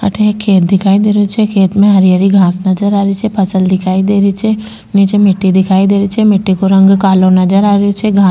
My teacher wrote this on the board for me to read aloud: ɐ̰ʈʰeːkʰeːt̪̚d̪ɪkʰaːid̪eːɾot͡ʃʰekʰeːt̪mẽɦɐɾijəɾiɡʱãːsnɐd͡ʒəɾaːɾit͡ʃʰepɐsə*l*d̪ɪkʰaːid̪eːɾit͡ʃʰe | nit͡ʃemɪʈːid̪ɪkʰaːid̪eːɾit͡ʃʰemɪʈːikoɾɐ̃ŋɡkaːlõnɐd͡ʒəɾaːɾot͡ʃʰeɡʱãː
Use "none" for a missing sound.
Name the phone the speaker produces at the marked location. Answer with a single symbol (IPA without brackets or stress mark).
l